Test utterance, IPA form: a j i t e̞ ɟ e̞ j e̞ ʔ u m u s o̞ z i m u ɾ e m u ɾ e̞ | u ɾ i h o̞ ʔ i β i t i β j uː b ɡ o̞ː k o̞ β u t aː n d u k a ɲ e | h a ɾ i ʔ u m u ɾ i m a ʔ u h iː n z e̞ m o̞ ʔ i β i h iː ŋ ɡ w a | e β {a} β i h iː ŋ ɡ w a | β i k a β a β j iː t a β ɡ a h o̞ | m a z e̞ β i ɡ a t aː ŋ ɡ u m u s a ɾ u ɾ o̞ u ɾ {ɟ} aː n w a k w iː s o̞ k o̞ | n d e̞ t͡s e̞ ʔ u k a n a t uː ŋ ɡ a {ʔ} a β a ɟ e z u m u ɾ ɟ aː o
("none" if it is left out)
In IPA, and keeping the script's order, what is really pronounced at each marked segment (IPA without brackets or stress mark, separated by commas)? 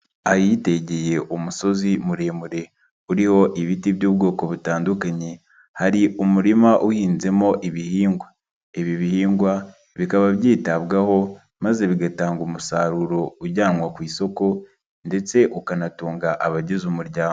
i, ɟ, ʔ